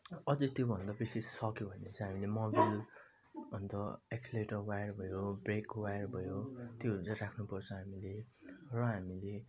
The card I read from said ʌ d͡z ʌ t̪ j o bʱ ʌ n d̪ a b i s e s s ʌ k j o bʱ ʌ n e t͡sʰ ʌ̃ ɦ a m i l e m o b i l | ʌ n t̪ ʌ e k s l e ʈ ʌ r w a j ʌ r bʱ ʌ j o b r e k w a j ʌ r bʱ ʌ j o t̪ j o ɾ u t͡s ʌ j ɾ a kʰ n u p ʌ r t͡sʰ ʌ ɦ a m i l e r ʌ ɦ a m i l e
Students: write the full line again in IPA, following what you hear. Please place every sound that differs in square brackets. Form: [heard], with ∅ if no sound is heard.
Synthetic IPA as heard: ʌ d͡z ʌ t̪ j o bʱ ʌ n d̪ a b i s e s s ʌ k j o bʱ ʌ n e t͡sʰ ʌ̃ ɦ a m i l e m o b i l | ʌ n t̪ ʌ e k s l e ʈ ʌ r w a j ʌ r bʱ ʌ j o b r e k w a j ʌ r bʱ ʌ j o t̪ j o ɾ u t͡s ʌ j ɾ a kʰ n u p ʌ r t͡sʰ ʌ ɦ a m i l e r ʌ ɦ a m i l e

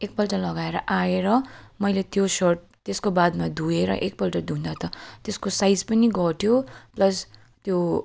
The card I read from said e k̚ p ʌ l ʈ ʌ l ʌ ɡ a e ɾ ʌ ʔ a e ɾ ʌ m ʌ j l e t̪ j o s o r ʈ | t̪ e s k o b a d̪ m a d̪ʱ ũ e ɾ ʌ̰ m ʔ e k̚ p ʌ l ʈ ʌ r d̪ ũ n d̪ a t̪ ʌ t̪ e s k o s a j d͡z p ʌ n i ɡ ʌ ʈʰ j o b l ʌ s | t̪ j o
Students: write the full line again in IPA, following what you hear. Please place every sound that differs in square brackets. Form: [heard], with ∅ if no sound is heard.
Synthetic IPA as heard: e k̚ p ʌ l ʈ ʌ l ʌ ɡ a e ɾ ʌ ʔ a e ɾ ʌ m ʌ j l e t̪ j o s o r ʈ | t̪ e s k o b a d̪ m a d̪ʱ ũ e ɾ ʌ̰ [∅] ʔ e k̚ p ʌ l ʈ ʌ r d̪ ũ n d̪ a t̪ ʌ t̪ e s k o s a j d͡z p ʌ n i ɡ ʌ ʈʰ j o [p] l ʌ s | t̪ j o

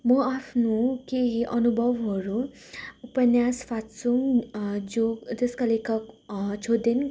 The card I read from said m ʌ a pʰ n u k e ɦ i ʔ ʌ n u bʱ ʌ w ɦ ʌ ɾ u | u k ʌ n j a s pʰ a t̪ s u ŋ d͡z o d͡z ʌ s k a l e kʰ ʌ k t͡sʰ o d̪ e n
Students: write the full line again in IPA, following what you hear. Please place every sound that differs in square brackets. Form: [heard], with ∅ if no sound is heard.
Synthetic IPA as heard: m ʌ a pʰ n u k e ɦ i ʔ ʌ n u bʱ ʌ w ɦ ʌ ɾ u | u [p] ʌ n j a s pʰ a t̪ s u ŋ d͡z o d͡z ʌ s k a l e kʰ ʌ k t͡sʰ o d̪ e n

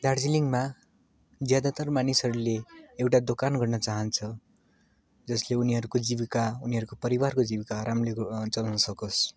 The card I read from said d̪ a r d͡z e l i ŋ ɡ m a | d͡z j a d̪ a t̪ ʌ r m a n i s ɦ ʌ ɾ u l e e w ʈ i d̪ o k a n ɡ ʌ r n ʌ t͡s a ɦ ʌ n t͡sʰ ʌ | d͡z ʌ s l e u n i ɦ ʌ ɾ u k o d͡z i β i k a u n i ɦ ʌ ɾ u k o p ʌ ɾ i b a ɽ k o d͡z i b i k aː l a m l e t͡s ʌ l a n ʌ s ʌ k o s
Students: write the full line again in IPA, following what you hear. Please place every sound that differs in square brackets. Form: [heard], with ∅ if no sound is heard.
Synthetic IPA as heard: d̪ a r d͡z [i] l i ŋ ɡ m a | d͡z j a d̪ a t̪ ʌ r m a n i s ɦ ʌ ɾ u l e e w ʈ [a] d̪ o k a n ɡ ʌ r n ʌ t͡s a ɦ ʌ n t͡sʰ ʌ | d͡z ʌ s l e u n i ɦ ʌ ɾ u k o d͡z i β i k a u n i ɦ ʌ ɾ u k o p ʌ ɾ i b a [r] k o d͡z i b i k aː [ɾ] a m l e t͡s ʌ l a n ʌ s ʌ k o s

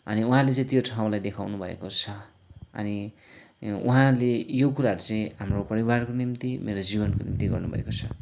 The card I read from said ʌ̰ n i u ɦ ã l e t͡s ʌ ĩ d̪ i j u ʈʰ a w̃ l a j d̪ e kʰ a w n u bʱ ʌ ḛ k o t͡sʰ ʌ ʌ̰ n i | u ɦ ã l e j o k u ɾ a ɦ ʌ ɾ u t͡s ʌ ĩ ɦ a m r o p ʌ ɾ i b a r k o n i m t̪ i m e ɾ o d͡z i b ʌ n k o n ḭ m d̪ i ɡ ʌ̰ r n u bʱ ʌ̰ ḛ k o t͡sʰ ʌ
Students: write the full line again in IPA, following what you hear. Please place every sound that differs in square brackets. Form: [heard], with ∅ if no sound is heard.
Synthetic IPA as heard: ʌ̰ n i u ɦ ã l e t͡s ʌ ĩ [t̪] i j [o] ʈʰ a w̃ l a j d̪ e kʰ a w n u bʱ ʌ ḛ k o t͡sʰ ʌ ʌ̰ n i | u ɦ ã l e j o k u ɾ a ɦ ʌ ɾ u t͡s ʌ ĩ ɦ a m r o p ʌ ɾ i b a r k o n i m t̪ i m e ɾ o d͡z i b ʌ n k o n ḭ m [t̪] i ɡ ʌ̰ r n u bʱ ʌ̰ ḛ k o t͡sʰ ʌ

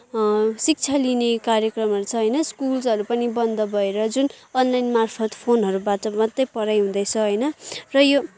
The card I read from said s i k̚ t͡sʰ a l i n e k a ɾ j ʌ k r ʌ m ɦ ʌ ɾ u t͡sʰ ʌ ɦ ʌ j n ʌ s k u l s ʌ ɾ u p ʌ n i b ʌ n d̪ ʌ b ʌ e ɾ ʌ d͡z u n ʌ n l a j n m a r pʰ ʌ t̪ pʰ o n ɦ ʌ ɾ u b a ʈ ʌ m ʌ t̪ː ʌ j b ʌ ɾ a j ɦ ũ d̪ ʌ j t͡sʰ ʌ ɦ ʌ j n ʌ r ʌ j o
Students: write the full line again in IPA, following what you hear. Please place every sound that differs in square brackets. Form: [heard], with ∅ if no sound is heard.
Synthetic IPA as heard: s i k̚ t͡sʰ a l i n e k a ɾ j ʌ k r ʌ m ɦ ʌ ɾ u t͡sʰ ʌ ɦ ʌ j n ʌ s k u l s ʌ ɾ u p ʌ n i b ʌ n d̪ ʌ b ʌ e ɾ ʌ d͡z u n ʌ n l a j n m a r pʰ ʌ t̪ pʰ o n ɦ ʌ ɾ u b a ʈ ʌ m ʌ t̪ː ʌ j [p] ʌ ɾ a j ɦ ũ d̪ ʌ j t͡sʰ ʌ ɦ ʌ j n ʌ r ʌ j o

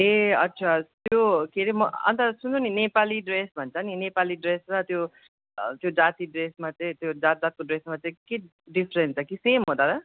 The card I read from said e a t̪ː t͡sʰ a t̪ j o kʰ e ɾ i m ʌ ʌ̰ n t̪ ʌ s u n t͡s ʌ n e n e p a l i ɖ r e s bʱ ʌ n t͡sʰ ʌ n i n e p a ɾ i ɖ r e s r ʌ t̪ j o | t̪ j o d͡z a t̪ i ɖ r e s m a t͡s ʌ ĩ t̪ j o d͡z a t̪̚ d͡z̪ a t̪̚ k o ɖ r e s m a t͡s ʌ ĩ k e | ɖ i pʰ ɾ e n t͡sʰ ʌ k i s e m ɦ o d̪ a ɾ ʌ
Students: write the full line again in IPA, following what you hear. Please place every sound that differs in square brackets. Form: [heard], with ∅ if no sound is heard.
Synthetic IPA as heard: e [ʌ] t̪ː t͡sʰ a t̪ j o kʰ e ɾ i m ʌ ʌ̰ n t̪ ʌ s u n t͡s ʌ n [i] n e p a l i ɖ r e s bʱ ʌ n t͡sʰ ʌ n i n e p a [l] i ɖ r e s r ʌ t̪ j o | t̪ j o d͡z a t̪ i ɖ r e s m a t͡s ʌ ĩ t̪ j o d͡z a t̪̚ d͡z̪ a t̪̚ k o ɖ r e s m a t͡s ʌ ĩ k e | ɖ i pʰ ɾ e n t͡sʰ ʌ k i s e m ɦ o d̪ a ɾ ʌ

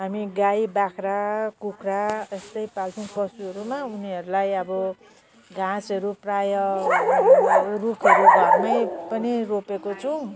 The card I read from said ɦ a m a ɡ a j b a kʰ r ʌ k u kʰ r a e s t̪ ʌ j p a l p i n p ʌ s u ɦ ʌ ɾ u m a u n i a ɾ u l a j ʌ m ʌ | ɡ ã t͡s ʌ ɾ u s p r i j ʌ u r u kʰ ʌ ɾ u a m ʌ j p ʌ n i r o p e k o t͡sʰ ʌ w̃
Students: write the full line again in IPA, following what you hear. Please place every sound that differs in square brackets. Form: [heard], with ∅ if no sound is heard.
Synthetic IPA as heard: ɦ a m [i] ɡ a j b a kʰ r [a] k u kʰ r a e s t̪ ʌ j p a l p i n p ʌ s u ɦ ʌ ɾ u m a u n i [ʌ] ɾ u l a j ʌ [b] ʌ | ɡ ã t͡s ʌ ɾ u [∅] p r [a] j ʌ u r u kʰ ʌ ɾ u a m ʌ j p ʌ n i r o p e k o t͡sʰ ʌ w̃

